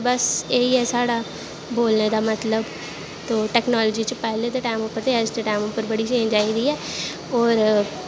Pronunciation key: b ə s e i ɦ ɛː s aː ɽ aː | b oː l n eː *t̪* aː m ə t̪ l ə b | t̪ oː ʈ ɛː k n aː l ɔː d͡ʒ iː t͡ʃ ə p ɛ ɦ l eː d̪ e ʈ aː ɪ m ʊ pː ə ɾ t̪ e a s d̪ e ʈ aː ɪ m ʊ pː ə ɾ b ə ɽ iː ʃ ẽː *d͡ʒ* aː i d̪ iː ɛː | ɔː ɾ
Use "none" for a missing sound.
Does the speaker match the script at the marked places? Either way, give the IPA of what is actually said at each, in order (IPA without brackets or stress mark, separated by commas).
d̪, d͡ʒ